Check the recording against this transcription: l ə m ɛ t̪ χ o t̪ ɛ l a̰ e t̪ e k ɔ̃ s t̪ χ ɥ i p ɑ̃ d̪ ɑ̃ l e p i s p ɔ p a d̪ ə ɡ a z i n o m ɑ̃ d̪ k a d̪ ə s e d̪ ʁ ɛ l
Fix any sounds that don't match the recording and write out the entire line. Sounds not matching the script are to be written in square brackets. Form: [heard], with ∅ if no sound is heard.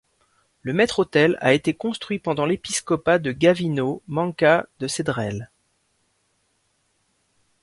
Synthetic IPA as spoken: l ə m ɛ t̪ χ o t̪ ɛ l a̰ e t̪ e k ɔ̃ s t̪ χ ɥ i p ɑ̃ d̪ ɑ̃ l e p i s [k] ɔ p a d̪ ə ɡ a [v] i n o m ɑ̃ [∅] k a d̪ ə s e d̪ ʁ ɛ l